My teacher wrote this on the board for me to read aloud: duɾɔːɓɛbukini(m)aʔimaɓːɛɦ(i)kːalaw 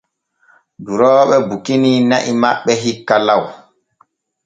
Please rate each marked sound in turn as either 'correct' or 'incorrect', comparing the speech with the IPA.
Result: incorrect: n, correct

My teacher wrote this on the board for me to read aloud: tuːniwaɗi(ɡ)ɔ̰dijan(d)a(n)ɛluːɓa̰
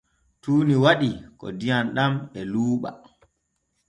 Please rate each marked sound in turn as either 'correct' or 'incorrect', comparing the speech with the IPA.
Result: incorrect: k, incorrect: ɗ, incorrect: m

